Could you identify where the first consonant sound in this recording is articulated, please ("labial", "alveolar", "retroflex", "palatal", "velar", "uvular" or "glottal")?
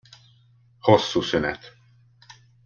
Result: glottal